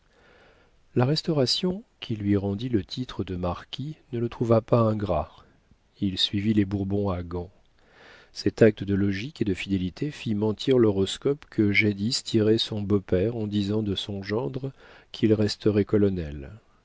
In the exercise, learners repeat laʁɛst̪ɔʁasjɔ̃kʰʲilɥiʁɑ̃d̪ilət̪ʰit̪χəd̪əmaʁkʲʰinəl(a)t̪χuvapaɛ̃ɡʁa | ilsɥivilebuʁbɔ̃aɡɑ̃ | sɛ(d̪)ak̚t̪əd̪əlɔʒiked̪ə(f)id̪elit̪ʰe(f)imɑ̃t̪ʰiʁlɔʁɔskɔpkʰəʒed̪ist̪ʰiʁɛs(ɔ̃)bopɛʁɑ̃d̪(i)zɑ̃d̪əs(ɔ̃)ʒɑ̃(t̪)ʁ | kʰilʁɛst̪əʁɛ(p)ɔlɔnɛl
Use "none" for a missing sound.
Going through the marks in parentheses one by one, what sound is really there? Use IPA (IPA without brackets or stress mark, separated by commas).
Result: ə, t̪, f, f, ɔ̃, i, ɔ̃, d̪, k